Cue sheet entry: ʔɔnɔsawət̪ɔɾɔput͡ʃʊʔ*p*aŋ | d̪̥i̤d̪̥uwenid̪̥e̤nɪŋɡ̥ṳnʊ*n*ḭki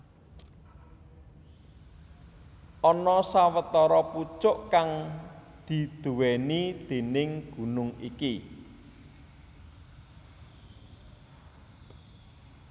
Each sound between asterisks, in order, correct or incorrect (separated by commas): incorrect, incorrect